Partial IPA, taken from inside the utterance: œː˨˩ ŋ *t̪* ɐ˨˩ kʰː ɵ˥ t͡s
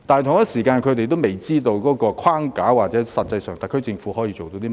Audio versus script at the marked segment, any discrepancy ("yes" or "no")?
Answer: no